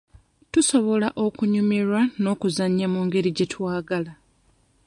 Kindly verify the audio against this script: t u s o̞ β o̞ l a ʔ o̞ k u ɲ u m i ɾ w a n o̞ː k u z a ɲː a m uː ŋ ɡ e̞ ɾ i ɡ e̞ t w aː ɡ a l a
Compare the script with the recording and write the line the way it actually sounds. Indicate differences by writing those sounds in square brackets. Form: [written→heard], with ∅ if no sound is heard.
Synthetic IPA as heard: t u s o̞ β o̞ l a ʔ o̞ k u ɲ u m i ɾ w a n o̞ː k u z a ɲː a m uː ŋ ɡ e̞ ɾ i [ɡ→ɟ] e̞ t w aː ɡ a l a